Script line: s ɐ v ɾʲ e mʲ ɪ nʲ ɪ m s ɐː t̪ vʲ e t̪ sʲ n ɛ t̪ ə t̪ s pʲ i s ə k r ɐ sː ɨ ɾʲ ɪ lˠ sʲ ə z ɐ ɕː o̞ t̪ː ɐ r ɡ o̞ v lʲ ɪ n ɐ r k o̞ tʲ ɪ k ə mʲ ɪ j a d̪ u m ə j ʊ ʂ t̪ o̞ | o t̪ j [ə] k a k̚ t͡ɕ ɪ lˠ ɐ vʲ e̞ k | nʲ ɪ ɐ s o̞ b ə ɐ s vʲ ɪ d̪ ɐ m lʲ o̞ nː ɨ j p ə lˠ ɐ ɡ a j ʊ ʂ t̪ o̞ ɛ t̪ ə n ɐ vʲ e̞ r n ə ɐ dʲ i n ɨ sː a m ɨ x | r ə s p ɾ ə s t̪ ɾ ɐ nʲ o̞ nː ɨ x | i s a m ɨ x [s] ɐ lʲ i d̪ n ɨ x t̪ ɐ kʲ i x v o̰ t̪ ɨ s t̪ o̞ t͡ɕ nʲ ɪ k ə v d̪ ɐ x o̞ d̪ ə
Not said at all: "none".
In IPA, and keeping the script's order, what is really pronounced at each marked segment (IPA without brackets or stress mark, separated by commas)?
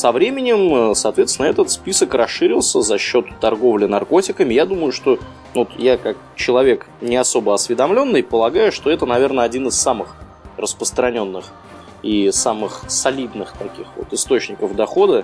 a, s